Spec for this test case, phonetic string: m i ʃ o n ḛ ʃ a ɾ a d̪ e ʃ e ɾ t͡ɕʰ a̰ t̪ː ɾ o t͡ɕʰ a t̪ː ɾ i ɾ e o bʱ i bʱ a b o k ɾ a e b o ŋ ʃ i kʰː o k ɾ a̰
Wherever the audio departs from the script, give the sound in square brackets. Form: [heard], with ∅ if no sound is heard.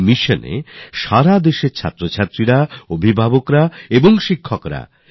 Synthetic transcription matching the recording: m i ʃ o n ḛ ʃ a ɾ a d̪ e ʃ e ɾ t͡ɕʰ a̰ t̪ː ɾ o t͡ɕʰ a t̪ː ɾ i ɾ [a] o bʱ i bʱ a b o k ɾ a e b o ŋ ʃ i kʰː o k ɾ a̰